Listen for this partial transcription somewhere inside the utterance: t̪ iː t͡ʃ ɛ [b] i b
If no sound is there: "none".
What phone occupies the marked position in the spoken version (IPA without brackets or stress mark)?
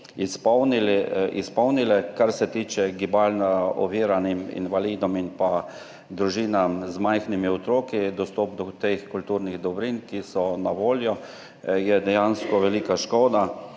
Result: ɡ